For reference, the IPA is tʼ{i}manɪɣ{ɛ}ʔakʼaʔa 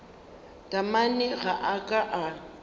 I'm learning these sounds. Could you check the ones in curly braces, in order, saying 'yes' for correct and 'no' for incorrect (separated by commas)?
no, no